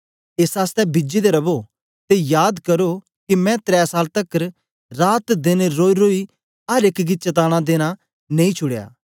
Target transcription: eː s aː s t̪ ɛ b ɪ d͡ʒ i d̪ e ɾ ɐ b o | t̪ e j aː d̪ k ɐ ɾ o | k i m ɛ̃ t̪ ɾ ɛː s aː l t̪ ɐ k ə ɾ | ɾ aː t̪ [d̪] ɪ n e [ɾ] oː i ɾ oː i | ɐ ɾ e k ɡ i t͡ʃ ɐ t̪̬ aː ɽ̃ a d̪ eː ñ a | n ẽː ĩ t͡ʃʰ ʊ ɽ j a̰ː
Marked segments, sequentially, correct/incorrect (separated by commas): correct, correct